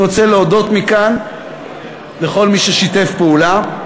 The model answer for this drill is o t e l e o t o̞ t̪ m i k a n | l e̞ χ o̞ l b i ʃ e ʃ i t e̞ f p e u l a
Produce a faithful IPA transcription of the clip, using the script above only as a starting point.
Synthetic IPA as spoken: o t͡s e l e o d o̞ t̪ m i k a n | l e̞ χ o̞ l m i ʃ e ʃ i t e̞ f p e u l a